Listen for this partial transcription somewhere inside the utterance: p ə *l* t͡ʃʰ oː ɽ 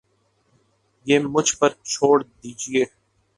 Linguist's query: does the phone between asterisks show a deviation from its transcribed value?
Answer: yes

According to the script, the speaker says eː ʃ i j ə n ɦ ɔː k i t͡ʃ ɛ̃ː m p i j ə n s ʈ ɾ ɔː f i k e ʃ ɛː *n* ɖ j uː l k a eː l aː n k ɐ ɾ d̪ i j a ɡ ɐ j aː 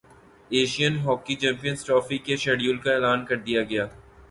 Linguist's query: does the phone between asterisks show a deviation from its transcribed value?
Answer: yes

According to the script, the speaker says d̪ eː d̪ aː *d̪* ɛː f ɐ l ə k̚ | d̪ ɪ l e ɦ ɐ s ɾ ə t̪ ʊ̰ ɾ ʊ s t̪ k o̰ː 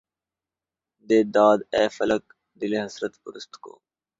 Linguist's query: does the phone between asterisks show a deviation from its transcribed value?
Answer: no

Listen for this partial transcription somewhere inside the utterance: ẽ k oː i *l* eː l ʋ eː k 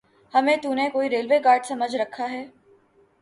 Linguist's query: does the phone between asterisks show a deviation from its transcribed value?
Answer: yes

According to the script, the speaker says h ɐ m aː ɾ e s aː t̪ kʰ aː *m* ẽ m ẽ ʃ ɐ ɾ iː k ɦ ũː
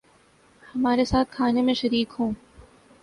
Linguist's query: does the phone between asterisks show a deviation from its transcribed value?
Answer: yes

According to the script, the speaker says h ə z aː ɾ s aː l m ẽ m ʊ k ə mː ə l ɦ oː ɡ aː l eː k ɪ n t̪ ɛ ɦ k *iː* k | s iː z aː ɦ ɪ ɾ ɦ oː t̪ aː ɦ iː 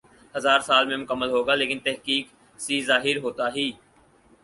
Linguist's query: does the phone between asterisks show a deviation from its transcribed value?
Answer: no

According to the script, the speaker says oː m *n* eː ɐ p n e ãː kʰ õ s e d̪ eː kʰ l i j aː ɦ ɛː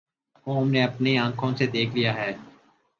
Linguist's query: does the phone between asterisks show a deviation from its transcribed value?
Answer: no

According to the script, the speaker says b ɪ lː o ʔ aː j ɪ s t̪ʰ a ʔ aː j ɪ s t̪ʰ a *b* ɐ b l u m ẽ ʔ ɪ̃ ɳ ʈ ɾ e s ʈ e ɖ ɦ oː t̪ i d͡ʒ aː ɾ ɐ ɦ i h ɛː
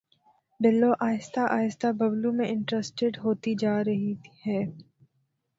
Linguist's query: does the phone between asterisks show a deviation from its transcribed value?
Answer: no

